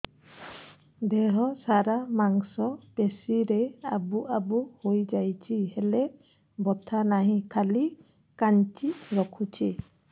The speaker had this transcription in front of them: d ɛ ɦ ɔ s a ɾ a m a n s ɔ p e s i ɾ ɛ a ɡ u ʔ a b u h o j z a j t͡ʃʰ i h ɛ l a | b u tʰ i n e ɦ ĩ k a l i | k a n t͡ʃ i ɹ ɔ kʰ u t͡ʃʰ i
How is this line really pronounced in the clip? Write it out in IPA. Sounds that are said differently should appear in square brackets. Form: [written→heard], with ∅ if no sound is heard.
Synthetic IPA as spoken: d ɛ ɦ ɔ s a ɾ a m a [n→ŋ] s ɔ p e s i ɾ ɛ a [ɡ→b] u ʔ a b u h o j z a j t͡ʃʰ i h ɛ l [a→ɛ] | b [u→ɔ] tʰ [i→a] n [e→a] ɦ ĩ [k→kʰ] a l i | k a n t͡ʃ i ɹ ɔ kʰ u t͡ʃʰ i